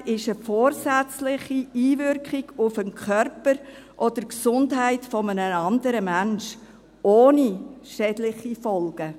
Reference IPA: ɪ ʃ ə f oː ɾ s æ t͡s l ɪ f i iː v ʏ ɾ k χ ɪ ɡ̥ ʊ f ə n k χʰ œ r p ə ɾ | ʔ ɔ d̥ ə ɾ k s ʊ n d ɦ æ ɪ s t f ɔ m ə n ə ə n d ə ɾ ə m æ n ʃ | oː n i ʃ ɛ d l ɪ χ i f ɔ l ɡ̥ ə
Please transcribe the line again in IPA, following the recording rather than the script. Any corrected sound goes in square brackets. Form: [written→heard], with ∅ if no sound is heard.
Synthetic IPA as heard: ɪ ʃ ə f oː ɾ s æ t͡s l ɪ [f→χ] i iː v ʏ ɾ k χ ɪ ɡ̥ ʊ f ə n k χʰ œ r p ə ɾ | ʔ ɔ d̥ ə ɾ k s ʊ n d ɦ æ ɪ [s→∅] t f ɔ m ə n ə [ə→ɑ] n d ə ɾ ə m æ n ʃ | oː n i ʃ ɛ d l ɪ χ i f ɔ l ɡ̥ ə